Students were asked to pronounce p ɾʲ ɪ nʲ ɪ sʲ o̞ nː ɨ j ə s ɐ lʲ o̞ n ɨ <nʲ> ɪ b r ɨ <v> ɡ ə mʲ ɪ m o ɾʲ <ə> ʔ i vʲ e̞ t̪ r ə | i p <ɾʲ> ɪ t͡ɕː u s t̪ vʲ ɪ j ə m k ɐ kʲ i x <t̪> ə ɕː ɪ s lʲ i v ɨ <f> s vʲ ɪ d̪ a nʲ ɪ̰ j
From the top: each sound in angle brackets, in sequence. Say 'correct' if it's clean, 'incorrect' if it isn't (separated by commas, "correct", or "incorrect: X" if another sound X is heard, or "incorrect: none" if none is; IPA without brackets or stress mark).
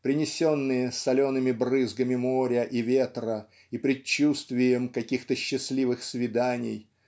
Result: incorrect: mʲ, incorrect: z, correct, correct, correct, incorrect: x